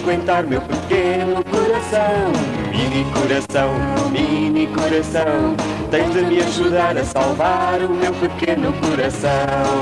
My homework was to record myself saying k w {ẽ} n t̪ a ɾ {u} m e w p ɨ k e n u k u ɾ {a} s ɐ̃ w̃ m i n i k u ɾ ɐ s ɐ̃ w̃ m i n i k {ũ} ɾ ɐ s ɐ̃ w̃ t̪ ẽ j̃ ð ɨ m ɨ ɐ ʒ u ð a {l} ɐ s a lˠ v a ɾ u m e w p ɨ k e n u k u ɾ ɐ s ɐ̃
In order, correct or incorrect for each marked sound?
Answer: correct, correct, incorrect, incorrect, incorrect

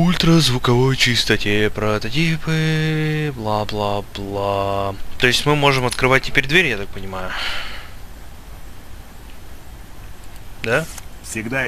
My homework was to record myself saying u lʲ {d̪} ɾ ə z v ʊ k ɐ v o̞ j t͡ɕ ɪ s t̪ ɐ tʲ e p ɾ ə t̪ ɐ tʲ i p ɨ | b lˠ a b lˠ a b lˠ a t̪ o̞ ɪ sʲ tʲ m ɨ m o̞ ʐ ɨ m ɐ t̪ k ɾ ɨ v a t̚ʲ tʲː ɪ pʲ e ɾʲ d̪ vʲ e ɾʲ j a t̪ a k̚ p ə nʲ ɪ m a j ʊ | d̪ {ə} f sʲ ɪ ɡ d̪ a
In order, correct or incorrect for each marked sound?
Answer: incorrect, incorrect

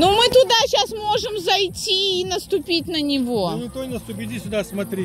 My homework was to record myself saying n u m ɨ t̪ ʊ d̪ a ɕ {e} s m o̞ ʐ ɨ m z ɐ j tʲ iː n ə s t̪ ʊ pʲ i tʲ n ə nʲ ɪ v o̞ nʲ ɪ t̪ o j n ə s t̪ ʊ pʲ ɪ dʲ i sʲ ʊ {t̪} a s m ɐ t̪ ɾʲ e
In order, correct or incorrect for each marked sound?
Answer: incorrect, incorrect

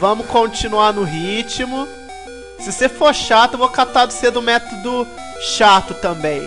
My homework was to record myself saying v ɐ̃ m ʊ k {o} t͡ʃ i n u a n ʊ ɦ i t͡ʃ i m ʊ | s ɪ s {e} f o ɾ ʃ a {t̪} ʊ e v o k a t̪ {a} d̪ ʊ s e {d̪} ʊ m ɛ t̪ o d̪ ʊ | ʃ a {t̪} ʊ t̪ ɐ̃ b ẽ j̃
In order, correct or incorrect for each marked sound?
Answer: incorrect, correct, correct, correct, correct, correct

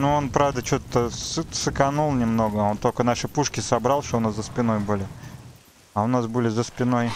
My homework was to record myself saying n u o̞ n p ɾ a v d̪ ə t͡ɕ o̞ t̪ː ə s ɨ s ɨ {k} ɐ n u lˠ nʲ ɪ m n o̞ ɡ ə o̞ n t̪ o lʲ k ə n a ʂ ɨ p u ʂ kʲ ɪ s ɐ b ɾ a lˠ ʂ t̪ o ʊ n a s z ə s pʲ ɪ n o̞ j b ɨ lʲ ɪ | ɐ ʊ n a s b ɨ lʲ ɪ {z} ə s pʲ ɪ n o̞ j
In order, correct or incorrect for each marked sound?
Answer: correct, correct

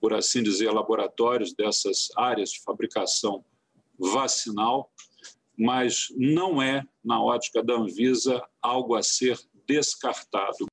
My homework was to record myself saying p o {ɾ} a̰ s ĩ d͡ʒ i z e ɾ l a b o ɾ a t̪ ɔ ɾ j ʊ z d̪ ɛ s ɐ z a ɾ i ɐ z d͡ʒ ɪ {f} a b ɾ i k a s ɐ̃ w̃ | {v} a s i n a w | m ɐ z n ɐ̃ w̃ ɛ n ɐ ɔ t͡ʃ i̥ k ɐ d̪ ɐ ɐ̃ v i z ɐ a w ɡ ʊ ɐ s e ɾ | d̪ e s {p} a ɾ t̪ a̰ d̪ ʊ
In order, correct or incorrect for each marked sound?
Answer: correct, correct, correct, incorrect

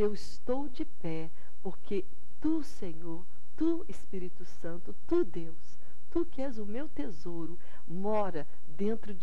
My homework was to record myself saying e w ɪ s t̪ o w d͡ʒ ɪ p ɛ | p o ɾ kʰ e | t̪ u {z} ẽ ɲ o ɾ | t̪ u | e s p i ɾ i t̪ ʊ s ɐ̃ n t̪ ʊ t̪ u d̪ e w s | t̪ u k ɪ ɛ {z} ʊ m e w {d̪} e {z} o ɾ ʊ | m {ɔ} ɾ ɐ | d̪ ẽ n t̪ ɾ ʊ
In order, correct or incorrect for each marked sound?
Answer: incorrect, correct, incorrect, correct, correct

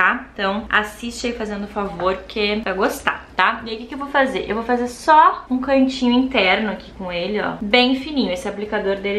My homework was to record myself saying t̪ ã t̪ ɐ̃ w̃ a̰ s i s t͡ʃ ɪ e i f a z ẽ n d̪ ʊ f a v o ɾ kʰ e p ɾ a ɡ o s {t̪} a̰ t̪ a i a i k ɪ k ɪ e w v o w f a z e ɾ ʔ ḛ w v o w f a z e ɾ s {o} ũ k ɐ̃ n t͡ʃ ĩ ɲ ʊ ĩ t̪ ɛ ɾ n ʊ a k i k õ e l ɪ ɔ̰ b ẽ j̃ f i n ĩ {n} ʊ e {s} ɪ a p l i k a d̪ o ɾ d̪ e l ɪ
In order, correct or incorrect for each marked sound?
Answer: correct, incorrect, incorrect, correct

